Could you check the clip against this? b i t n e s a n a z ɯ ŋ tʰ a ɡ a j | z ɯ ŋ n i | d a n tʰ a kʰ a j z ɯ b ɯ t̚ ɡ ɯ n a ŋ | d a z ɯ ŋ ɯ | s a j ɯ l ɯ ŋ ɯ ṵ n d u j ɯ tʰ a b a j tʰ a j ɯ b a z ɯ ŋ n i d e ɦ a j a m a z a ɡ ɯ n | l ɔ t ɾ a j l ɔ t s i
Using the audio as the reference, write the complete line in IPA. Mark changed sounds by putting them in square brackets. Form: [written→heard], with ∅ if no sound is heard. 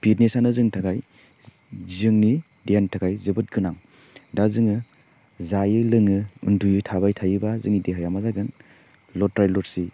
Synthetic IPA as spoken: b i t n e s a n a z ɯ ŋ tʰ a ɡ a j | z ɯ ŋ n i | d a n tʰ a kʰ a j z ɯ b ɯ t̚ ɡ ɯ n a ŋ | d a z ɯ ŋ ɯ | [s→z] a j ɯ l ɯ ŋ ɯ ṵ n d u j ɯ tʰ a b a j tʰ a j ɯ b a z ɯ ŋ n i d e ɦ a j a m a z a ɡ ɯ n | l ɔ t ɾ a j l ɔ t s i